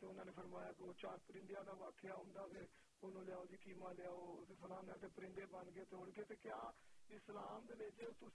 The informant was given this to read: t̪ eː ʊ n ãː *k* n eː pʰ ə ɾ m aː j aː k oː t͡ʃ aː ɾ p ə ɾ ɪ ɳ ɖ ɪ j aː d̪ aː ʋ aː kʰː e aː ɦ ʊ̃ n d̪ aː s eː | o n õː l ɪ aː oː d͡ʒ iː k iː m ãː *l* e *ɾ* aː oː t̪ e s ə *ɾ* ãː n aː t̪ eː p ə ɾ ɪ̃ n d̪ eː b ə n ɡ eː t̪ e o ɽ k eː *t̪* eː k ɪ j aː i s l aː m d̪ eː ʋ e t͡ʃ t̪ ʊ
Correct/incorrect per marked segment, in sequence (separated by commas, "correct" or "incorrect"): incorrect, correct, incorrect, incorrect, correct